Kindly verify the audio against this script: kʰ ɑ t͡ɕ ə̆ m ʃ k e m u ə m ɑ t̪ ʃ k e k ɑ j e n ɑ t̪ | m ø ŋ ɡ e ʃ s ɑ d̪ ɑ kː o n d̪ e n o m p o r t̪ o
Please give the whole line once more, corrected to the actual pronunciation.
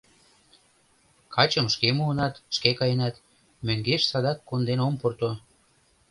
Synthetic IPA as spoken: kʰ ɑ t͡ɕ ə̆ m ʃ k e m u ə n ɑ t̪ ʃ k e k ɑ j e n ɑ t̪ | m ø ŋ ɡ e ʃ s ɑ d̪ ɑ kː o n d̪ e n o m p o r t̪ o